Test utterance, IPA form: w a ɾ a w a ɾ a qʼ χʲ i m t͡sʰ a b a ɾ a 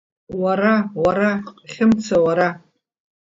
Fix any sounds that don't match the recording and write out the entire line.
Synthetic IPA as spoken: w a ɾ a w a ɾ a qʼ χʲ ɪ m t͡sʰ a w a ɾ a